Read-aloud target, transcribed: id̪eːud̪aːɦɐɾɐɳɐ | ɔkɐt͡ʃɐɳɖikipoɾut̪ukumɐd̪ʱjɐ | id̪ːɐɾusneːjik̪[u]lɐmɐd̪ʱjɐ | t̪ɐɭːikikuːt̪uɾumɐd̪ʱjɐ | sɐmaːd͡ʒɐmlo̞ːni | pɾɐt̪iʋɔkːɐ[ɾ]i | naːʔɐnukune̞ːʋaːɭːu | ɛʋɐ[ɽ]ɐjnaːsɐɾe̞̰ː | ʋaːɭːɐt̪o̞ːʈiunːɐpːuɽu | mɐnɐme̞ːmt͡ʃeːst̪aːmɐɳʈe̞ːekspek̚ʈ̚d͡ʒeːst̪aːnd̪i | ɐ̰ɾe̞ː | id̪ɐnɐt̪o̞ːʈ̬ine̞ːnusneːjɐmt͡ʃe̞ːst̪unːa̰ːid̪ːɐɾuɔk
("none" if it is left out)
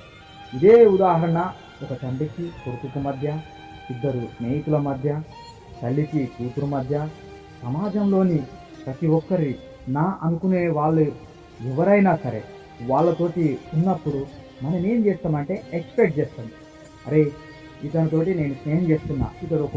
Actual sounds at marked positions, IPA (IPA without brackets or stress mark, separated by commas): u, ɾ, ɾ